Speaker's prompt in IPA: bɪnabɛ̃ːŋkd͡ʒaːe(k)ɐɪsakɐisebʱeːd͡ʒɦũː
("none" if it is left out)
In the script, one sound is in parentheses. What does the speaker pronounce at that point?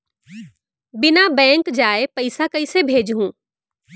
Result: p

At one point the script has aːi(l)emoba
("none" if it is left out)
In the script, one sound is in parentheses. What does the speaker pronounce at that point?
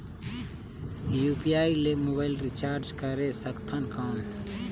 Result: l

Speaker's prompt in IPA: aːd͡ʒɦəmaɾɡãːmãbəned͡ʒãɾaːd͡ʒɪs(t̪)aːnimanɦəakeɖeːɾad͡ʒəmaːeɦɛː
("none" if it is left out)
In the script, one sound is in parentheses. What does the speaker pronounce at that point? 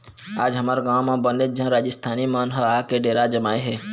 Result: t̪ʰ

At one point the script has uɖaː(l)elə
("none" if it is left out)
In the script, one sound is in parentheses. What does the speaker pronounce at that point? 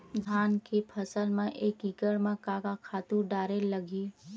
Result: ɾ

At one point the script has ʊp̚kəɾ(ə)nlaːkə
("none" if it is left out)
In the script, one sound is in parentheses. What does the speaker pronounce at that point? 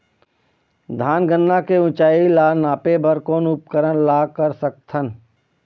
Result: ə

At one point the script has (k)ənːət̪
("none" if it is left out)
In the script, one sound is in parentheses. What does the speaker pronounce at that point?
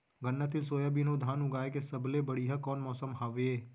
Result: ɡ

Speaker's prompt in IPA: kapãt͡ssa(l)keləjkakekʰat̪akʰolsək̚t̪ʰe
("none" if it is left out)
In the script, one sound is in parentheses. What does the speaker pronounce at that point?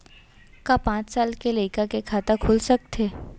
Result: l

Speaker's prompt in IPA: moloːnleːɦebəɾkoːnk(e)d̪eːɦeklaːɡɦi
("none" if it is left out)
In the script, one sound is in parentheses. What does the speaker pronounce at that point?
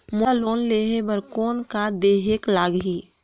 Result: a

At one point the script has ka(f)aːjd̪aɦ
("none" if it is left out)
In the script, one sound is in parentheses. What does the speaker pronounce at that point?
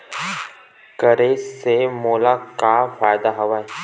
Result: f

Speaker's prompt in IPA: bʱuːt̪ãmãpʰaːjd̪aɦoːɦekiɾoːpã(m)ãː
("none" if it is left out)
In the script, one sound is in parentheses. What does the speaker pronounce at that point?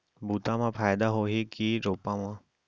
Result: m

